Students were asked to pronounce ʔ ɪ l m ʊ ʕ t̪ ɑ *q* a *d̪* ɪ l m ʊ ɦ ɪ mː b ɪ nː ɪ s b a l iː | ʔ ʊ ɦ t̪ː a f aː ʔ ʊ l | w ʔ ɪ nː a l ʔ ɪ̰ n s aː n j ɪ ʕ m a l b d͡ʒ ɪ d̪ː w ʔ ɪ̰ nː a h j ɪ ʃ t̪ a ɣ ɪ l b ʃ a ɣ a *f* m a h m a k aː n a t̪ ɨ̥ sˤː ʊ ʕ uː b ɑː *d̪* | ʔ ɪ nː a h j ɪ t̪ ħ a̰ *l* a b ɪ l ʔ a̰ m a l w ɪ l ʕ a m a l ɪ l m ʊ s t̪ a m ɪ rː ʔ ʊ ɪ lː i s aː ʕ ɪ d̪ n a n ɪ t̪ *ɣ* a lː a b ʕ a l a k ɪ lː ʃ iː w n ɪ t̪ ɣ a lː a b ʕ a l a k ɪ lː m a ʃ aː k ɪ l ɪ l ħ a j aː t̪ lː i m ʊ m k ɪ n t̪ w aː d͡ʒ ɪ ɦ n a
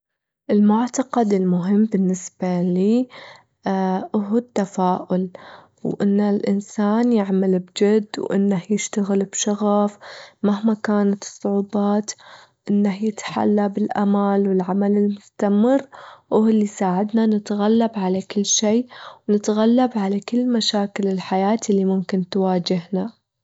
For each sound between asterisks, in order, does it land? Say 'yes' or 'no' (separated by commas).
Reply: yes, yes, yes, no, no, yes